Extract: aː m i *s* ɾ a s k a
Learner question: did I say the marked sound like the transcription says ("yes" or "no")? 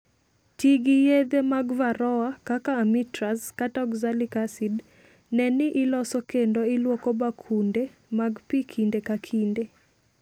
no